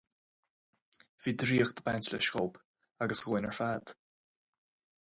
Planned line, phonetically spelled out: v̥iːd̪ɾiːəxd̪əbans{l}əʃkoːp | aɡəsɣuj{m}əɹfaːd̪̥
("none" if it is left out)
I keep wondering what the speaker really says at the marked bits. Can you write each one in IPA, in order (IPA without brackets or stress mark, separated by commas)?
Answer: l, n